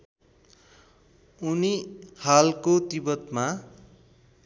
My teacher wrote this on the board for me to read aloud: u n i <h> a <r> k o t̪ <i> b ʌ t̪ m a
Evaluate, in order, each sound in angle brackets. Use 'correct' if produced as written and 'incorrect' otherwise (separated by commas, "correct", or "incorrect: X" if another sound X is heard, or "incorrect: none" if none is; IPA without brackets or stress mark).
correct, incorrect: l, correct